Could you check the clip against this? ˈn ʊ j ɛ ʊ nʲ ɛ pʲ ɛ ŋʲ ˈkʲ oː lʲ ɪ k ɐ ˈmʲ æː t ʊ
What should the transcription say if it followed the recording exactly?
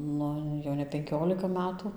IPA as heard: ˈn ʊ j ɛ ʊ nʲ ɛ pʲ ɛ ŋʲ ˈkʲ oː lʲ ɪ k ɐ ˈmʲ æː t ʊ